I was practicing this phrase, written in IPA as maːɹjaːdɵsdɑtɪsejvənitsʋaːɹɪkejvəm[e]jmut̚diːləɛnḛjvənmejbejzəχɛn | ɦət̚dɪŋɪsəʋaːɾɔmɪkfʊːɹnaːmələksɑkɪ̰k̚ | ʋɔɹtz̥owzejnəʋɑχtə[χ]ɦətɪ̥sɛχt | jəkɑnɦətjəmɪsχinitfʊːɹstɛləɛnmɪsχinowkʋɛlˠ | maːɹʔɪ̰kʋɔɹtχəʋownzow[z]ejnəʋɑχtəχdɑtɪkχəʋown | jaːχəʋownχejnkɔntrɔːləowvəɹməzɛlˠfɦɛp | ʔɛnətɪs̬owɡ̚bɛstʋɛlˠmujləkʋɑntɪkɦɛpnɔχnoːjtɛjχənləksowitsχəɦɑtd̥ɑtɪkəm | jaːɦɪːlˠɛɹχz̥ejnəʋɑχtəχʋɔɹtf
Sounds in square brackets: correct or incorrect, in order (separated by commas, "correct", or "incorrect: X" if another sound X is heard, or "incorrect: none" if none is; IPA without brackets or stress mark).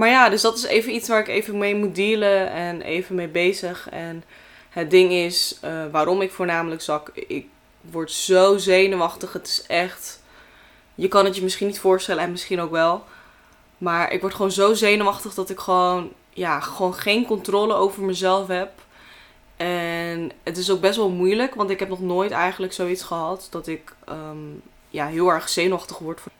correct, correct, correct